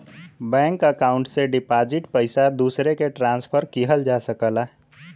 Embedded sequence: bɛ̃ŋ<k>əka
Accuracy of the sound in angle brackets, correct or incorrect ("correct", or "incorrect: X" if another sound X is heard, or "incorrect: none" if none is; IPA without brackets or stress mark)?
correct